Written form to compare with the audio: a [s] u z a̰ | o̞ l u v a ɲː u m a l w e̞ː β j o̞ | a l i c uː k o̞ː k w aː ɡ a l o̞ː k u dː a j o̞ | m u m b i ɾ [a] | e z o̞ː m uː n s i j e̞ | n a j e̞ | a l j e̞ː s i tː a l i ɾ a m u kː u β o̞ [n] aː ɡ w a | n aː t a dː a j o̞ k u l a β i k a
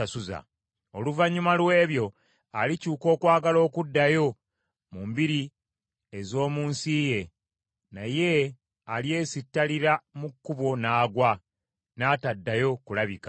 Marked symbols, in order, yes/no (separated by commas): yes, no, yes